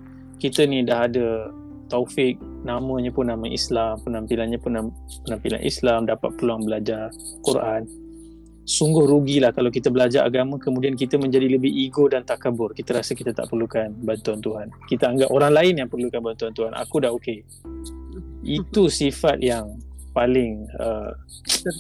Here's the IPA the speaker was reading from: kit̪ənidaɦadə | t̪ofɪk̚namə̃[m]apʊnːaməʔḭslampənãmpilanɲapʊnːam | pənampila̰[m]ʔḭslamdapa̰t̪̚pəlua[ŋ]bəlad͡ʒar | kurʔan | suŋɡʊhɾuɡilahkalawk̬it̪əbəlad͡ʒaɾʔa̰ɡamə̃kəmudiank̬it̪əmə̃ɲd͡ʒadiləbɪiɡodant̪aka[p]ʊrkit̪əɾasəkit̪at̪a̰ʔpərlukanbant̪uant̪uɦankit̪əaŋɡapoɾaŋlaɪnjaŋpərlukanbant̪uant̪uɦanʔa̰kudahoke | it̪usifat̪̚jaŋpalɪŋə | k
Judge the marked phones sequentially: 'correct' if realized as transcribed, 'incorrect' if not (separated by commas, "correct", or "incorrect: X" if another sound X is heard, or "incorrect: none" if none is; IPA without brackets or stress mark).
incorrect: ɲ, incorrect: n, correct, incorrect: b